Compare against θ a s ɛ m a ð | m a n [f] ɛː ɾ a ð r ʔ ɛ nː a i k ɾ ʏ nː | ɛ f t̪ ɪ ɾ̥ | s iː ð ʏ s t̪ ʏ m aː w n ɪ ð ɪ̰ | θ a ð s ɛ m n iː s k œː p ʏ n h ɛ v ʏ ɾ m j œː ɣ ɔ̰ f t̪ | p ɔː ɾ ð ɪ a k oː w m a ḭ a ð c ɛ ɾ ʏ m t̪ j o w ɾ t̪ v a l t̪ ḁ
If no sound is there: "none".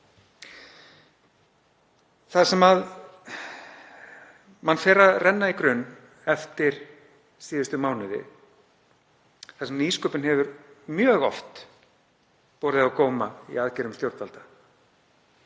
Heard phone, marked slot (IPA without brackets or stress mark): f